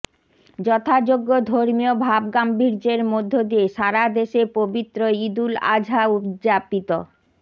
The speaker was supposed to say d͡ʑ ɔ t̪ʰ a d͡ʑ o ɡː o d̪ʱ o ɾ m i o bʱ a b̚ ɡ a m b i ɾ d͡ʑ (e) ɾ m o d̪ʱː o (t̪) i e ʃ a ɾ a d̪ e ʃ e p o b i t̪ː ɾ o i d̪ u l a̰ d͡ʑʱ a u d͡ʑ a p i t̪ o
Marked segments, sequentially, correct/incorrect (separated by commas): correct, incorrect